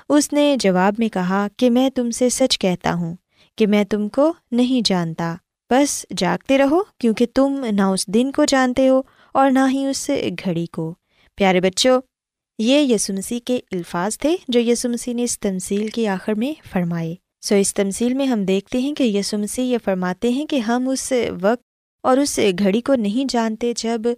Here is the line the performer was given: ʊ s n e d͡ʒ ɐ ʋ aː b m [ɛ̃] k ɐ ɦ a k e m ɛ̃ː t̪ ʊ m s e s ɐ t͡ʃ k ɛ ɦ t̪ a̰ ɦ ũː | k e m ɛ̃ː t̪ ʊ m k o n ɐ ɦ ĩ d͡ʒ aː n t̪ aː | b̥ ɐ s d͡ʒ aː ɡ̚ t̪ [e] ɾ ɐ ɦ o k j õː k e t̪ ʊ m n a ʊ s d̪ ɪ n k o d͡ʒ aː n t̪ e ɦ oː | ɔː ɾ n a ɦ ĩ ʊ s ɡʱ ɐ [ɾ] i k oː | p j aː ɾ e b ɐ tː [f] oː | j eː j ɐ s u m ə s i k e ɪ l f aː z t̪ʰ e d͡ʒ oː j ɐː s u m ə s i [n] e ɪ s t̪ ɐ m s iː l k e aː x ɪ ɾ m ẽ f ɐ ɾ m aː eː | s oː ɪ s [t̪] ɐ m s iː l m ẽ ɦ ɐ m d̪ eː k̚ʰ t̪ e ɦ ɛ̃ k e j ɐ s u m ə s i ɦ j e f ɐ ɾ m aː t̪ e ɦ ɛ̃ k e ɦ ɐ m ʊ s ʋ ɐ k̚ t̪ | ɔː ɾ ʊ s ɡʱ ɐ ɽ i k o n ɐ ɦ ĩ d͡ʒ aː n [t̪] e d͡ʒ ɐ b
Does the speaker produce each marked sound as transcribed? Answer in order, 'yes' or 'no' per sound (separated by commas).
no, yes, no, no, yes, yes, yes